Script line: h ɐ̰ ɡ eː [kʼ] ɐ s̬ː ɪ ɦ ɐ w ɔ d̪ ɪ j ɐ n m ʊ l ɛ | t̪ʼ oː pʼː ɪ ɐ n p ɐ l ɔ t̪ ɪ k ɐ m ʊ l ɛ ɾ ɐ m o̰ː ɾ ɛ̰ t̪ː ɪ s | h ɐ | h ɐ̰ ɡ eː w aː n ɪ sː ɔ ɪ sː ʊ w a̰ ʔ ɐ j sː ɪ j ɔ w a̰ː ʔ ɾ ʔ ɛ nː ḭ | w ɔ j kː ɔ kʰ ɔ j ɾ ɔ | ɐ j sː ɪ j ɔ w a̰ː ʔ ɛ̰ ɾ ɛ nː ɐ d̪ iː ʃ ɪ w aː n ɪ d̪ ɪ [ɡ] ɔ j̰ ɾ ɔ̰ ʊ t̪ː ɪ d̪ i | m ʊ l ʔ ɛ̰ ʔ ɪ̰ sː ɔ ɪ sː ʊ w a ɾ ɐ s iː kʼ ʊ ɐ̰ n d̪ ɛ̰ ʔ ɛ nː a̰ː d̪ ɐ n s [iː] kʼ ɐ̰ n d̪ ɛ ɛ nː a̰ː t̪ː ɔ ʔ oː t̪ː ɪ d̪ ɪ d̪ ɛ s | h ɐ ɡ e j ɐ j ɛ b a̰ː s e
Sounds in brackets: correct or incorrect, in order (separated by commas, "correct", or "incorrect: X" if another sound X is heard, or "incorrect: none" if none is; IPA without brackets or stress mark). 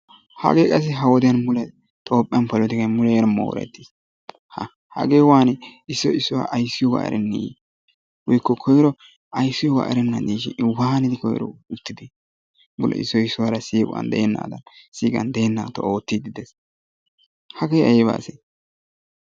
correct, incorrect: k, correct